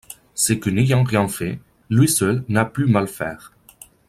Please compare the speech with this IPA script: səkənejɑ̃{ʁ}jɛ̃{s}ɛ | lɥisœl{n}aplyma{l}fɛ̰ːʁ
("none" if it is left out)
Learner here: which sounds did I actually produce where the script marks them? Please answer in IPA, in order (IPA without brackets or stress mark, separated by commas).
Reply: ʁ, f, n, l